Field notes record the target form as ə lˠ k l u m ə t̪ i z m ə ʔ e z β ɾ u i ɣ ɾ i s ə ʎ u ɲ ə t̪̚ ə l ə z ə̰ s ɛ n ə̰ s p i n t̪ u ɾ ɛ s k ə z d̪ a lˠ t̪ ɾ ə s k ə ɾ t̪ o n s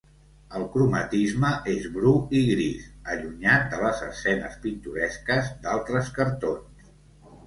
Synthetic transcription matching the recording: ə lˠ k ɾ u m ə t̪ i z m ə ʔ e z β ɾ u i ɣ ɾ i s ə ʎ u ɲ a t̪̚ ə l ə z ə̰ s ɛ n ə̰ s p i n t̪ u ɾ ɛ s k ə z d̪ a lˠ t̪ ɾ ə s k ə ɾ t̪ o n s